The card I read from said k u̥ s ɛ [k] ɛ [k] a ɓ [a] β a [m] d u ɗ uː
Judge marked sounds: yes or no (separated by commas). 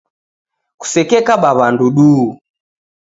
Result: yes, yes, yes, no